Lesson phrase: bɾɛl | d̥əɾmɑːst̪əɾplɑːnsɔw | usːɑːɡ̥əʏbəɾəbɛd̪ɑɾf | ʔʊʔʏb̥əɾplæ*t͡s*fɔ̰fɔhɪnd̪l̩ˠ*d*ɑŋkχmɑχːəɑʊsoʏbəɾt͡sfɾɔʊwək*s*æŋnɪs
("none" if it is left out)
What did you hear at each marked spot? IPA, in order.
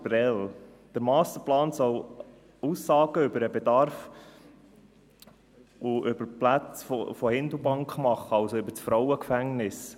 t͡s, b, f

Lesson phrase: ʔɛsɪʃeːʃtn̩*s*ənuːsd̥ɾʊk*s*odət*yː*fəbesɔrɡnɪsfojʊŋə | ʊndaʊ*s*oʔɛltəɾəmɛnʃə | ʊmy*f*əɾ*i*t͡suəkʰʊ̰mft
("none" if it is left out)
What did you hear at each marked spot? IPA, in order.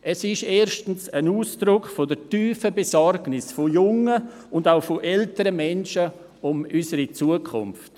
s, f, yː, f, s, i

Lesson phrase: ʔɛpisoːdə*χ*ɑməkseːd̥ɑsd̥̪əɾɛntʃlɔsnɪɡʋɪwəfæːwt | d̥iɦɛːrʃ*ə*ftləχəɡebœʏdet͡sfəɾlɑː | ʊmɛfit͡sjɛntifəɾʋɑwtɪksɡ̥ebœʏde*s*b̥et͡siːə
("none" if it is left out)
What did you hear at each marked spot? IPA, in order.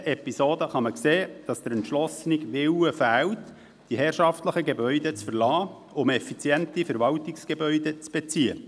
χ, ɑ, t͡s

